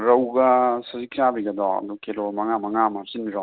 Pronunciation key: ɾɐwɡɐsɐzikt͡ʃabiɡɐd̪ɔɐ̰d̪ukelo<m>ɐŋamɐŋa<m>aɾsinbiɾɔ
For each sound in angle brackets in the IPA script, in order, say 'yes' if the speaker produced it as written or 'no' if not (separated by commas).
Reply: yes, yes